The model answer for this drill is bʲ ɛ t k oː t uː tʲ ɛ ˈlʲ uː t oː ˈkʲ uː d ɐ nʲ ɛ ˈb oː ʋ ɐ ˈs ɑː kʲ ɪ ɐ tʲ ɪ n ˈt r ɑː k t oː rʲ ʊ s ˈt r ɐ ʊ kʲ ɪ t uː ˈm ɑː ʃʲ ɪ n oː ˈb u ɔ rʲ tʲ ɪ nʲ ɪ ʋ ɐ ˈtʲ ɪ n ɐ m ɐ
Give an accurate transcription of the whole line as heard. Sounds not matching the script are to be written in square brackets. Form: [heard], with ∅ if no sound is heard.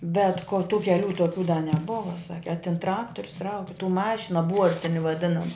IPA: bʲ ɛ t k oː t uː [kʲ] ɛ ˈlʲ uː t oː ˈkʲ uː d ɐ nʲ ɛ ˈb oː ʋ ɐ ˈs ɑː kʲ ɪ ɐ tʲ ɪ n ˈt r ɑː k t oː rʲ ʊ s ˈt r ɐ ʊ kʲ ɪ t uː ˈm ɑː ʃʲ ɪ n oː ˈb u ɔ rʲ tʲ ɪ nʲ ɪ ʋ ɐ [ˈdʲ] ɪ n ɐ m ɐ